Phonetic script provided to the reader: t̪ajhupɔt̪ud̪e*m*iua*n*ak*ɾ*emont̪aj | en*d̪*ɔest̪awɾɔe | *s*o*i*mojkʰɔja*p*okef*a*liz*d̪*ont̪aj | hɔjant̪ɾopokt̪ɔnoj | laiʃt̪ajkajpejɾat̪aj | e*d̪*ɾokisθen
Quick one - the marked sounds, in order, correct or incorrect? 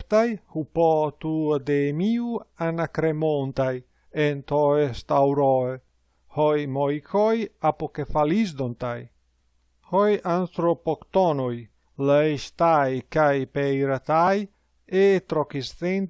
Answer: correct, correct, correct, incorrect: t̪, incorrect: h, incorrect: j, correct, correct, correct, incorrect: t̪

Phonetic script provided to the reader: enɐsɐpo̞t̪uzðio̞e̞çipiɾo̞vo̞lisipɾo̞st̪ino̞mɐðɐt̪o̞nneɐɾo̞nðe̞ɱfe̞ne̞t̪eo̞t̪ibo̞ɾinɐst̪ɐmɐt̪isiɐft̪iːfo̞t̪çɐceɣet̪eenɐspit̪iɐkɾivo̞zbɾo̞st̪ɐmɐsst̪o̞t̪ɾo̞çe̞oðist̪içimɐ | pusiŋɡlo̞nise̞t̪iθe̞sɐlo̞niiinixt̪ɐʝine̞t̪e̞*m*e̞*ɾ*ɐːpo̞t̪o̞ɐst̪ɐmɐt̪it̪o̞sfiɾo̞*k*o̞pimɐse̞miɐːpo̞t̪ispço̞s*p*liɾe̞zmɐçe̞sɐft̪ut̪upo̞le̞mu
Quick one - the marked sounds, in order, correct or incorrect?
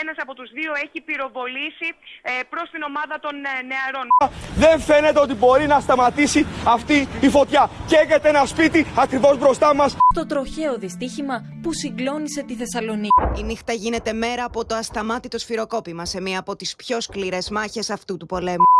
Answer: correct, correct, correct, incorrect: k

